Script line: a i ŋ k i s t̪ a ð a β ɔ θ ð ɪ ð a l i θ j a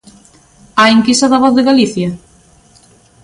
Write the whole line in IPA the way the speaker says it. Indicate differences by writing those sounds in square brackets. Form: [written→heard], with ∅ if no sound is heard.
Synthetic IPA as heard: a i ŋ k i s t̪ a ð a β ɔ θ ð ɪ [ð→ɣ] a l i θ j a

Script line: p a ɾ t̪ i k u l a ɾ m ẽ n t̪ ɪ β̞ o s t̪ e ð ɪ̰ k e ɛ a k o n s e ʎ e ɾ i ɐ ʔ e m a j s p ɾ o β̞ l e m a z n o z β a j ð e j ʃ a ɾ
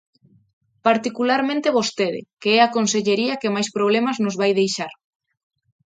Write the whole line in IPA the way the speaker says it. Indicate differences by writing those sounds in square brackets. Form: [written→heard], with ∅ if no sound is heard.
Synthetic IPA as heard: p a ɾ t̪ i k u l a ɾ m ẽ n t̪ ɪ β̞ o s t̪ e ð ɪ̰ k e ɛ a k o n s e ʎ e ɾ i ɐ [ʔ→k] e m a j s p ɾ o β̞ l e m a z n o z β a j ð e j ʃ a ɾ

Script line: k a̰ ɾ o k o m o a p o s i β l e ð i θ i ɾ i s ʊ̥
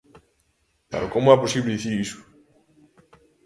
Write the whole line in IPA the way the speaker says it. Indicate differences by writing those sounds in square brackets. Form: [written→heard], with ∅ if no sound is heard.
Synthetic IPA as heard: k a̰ ɾ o k o m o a p o s i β l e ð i θ i ɾ i s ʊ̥

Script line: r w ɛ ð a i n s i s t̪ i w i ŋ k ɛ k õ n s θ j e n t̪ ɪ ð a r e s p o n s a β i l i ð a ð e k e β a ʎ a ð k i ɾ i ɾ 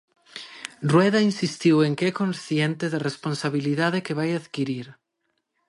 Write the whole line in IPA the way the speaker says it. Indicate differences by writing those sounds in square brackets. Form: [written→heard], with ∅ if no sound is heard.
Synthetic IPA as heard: r w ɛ ð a i n s i s t̪ i w [i→e] ŋ k ɛ k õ n s θ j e n t̪ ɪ ð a r e s p o n s a β i l i ð a ð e k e β a [ʎ→j] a ð k i ɾ i ɾ

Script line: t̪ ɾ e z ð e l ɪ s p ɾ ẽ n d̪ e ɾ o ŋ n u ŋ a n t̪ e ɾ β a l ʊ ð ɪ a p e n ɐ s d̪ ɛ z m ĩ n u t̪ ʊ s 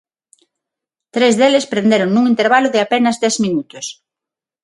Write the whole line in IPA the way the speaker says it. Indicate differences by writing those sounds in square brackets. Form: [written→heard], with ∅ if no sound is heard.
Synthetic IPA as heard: t̪ ɾ e z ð e l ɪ s p ɾ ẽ n d̪ e ɾ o ŋ n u ŋ [a→i] n t̪ e ɾ β a l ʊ ð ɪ a p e n ɐ [s→z] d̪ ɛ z m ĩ n u t̪ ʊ s

